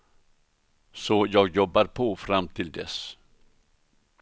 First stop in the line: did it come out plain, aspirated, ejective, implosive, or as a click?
plain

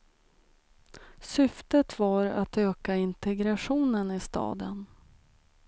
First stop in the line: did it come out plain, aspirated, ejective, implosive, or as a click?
plain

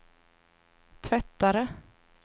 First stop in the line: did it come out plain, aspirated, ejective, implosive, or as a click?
aspirated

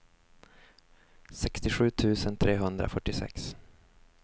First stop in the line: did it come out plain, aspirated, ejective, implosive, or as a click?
plain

